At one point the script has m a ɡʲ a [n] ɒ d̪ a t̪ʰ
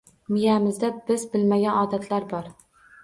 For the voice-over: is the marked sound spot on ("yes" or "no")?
yes